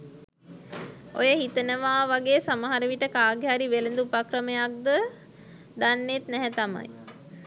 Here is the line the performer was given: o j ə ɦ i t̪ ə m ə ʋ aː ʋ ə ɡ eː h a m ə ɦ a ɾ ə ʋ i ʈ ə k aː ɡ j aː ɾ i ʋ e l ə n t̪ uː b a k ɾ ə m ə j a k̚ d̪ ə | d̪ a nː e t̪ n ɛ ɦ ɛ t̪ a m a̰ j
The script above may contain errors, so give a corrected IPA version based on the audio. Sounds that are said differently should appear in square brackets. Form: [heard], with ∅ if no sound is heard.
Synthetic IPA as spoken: o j ə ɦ i t̪ ə [n] ə ʋ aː ʋ [a] ɡ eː [s] a m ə ɦ a ɾ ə ʋ i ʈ ə k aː ɡ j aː ɾ i ʋ e l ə n [d̪] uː [p] a k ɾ ə m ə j a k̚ d̪ ə | d̪ a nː e t̪ n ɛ ɦ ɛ t̪ a m a̰ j

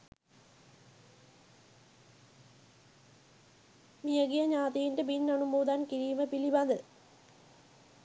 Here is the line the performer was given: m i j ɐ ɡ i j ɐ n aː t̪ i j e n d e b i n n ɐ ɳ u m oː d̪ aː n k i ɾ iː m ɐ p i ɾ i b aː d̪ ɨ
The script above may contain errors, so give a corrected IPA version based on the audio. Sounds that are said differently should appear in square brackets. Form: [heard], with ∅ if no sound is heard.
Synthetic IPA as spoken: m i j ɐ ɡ i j ɐ [ɲ] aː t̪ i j [i] n d e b i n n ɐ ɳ u m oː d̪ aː n k i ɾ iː m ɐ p i [l] i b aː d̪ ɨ

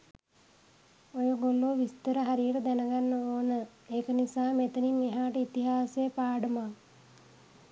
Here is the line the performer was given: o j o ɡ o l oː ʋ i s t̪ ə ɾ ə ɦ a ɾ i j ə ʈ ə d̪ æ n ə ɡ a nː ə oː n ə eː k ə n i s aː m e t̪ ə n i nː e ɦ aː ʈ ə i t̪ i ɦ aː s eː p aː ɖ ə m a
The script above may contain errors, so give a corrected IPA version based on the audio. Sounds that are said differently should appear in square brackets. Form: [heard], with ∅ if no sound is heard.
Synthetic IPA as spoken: o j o ɡ o l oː ʋ i s t̪ ə ɾ ə ɦ a ɾ i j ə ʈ ə d̪ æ n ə ɡ a nː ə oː n ə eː k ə n i s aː m e t̪ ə n i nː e ɦ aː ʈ ə i t̪ i ɦ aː s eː p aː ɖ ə m a

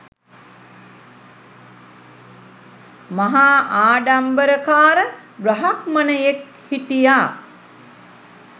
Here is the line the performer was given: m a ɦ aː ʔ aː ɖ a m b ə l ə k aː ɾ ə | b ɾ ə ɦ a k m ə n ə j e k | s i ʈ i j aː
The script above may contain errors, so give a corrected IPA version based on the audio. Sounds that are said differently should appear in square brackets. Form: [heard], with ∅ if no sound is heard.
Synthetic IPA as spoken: m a ɦ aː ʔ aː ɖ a m b ə [ɾ] ə k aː ɾ ə | b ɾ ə ɦ a k m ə n ə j e k | [h] i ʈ i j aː

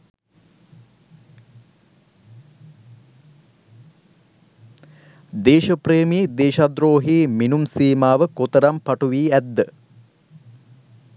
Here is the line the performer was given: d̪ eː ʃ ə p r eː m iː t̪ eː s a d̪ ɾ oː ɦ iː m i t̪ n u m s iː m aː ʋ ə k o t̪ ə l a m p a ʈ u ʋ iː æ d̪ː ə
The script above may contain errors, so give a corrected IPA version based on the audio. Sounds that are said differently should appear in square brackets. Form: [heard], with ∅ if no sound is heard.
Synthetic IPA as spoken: d̪ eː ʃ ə p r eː m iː [d̪] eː [ʃ] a d̪ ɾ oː ɦ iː m i [∅] n u m s iː m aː ʋ ə k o t̪ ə [ɾ] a m p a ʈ u ʋ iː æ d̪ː ə

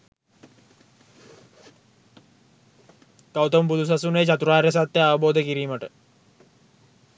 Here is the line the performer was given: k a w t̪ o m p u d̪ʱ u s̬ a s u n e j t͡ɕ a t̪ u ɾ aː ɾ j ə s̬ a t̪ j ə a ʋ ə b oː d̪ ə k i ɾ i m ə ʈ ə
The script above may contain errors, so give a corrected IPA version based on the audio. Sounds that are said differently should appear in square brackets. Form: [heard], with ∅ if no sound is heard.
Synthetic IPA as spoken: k a w t̪ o m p u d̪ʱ u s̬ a s u n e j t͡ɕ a t̪ u ɾ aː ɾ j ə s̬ a t̪ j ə a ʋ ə b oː d̪ ə k i ɾ [iː] m ə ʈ ə

